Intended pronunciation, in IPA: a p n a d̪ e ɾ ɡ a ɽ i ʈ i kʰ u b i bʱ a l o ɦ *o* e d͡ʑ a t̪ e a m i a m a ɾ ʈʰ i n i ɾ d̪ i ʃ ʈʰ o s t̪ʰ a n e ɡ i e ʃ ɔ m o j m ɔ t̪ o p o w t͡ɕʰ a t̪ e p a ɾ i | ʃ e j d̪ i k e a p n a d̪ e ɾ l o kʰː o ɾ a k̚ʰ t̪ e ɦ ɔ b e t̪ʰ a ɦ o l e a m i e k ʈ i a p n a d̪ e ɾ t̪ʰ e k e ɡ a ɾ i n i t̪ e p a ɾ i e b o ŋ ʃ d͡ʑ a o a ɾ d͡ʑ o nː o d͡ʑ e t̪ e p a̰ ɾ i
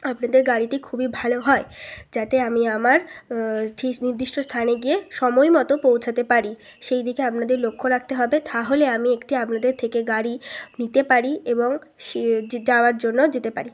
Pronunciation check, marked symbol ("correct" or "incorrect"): incorrect